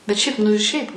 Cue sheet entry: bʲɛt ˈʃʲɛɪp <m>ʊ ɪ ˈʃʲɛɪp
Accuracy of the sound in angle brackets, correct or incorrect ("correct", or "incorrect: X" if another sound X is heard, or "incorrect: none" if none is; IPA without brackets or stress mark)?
incorrect: n